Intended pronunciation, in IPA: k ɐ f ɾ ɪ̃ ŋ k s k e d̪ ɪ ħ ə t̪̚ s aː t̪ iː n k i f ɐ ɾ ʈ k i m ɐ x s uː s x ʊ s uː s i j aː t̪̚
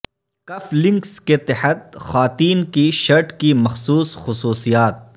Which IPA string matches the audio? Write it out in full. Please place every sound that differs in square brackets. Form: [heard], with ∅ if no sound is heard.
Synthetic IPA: k ɐ f [l] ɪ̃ ŋ k s k e [t̪] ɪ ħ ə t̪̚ [x] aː t̪ iː n k i [ʃ] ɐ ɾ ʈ k i m ɐ x s uː s x ʊ s uː s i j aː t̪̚